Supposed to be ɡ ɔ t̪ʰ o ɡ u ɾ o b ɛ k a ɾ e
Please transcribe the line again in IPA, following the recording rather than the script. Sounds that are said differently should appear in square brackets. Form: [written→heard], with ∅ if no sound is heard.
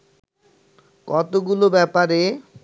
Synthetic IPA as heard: [ɡ→k] ɔ [t̪ʰ→t̪] o ɡ u [ɾ→l] o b ɛ [k→p] a ɾ e